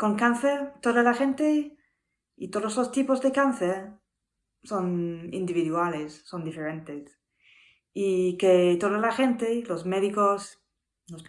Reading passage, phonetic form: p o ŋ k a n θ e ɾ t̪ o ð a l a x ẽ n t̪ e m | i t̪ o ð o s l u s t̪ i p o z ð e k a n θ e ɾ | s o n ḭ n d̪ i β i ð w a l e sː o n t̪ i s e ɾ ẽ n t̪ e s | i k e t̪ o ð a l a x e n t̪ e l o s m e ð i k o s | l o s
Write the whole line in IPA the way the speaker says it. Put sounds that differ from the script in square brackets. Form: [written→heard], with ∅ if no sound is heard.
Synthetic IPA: [p→k] o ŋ k a n θ e ɾ t̪ o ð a l a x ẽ n t̪ e [m→∅] | i t̪ o ð o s l [u→o] s t̪ i p o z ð e k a n θ e ɾ | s o n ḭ n d̪ i β i ð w a l e sː o n [t̪→d̪] i [s→f] e ɾ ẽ n t̪ e s | i k e t̪ o ð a l a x e n t̪ e l o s m e ð i k o s | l o s